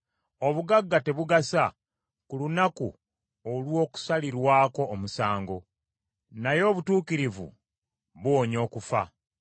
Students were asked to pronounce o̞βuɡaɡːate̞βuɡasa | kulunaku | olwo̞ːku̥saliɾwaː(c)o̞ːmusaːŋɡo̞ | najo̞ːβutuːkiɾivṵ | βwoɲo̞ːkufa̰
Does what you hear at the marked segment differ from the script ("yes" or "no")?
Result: yes